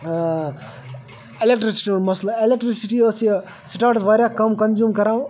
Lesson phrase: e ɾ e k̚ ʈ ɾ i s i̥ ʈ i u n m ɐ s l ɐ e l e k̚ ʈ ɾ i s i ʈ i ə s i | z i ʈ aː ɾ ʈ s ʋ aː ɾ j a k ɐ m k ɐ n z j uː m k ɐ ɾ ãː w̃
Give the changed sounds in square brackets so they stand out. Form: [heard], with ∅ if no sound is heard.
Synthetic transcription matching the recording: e [l] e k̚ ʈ ɾ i s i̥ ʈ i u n m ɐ s l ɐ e l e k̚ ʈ ɾ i s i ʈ i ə s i | [s] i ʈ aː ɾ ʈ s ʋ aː ɾ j a k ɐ m k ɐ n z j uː m k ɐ ɾ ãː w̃